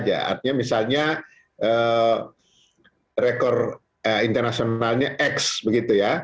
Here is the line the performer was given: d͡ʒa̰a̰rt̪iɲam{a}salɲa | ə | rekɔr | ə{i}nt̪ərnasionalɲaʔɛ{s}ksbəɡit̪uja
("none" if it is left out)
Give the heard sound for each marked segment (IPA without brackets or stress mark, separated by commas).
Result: i, i, none